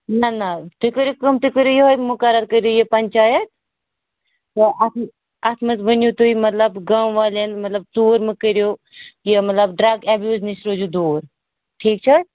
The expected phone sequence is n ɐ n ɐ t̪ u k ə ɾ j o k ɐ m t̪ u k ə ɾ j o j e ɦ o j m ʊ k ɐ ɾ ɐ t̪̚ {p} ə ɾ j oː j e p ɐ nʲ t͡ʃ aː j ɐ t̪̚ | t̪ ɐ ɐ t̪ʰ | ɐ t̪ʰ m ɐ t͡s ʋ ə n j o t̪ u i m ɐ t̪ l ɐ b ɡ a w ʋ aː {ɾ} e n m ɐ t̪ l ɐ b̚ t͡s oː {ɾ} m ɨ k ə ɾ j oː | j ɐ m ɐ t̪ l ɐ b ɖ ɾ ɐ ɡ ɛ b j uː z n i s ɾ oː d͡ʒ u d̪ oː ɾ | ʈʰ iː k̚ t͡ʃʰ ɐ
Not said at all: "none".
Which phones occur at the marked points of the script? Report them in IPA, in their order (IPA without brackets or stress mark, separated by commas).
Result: k, l, ɾ